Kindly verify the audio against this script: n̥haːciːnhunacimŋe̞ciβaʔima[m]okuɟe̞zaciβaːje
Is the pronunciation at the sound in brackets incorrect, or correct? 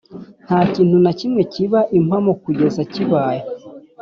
correct